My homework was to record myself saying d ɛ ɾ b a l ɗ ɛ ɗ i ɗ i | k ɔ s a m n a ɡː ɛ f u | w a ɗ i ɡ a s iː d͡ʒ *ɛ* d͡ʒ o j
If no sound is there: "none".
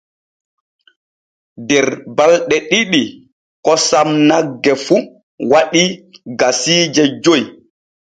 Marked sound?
ɛ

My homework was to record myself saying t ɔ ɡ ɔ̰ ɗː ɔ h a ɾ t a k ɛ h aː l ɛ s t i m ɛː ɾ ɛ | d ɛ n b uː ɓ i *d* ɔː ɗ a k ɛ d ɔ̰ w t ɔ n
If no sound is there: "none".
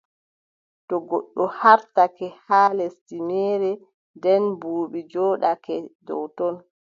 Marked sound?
d͡ʒ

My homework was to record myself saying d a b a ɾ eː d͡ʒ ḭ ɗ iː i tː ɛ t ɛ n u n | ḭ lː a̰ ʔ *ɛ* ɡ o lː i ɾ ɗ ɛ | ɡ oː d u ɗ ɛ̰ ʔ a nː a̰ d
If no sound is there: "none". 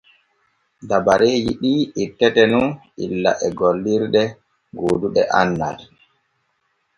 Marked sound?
ɛ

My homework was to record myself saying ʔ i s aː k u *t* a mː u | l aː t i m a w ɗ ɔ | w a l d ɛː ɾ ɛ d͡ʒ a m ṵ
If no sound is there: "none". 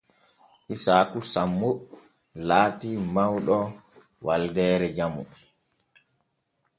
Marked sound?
s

